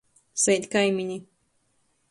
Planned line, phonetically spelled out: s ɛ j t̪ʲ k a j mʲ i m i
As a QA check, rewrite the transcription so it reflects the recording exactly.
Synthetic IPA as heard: s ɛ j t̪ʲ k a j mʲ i ɲ i